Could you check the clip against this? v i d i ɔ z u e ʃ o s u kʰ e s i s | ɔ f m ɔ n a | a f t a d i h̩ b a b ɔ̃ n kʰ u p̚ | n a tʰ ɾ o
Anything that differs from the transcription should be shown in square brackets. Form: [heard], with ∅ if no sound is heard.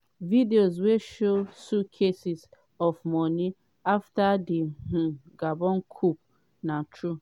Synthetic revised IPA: v i d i [o] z [w] e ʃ o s u kʰ e s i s | ɔ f m ɔ n [i] | a f t a d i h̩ [ɡ] a b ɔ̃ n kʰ u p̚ | n a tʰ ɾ [u]

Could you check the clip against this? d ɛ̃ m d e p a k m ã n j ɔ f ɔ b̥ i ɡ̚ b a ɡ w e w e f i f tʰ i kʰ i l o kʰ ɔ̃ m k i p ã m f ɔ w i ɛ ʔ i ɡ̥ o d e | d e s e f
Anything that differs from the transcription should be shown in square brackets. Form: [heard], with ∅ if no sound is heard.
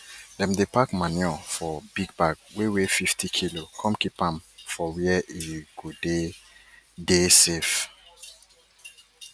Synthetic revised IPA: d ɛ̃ m d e p a k m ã n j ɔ f ɔ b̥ i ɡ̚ b a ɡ w e w e f i f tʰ i kʰ i l o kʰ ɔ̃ m k i p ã m f ɔ w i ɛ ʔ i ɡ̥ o d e | d e s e f

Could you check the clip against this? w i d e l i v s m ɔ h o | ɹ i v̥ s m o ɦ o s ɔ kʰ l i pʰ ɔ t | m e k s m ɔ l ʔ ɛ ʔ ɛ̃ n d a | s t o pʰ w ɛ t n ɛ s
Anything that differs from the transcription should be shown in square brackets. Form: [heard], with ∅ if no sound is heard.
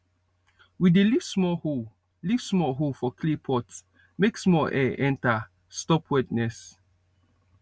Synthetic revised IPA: w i d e l i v s m ɔ h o | [l] i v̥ s m [ɔ] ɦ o [f] ɔ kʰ l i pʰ ɔ t | m e k s m ɔ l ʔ ɛ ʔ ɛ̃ n [t] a | s t [ɔ] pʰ w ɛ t n ɛ s

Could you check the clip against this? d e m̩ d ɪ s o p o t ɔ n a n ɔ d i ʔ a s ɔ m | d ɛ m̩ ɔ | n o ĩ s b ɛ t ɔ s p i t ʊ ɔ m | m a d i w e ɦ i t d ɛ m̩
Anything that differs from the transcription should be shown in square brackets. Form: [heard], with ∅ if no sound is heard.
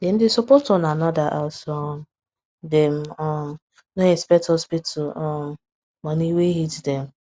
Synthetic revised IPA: d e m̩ d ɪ s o p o t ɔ n a n ɔ d [a] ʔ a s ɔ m | d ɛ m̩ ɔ | n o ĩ s [p] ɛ t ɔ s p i t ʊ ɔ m | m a [n] i w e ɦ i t d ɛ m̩

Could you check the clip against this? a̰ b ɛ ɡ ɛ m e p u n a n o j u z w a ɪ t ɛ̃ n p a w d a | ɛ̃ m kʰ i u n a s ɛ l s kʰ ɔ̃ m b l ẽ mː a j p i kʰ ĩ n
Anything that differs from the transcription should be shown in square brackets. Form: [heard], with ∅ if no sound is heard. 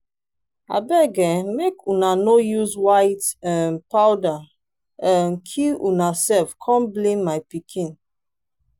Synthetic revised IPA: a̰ b ɛ ɡ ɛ m e [k] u n a n o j u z w a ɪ t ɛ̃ n p a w d a | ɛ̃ [n] kʰ i u n a s ɛ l [f] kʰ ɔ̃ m b l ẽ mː a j p i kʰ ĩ n

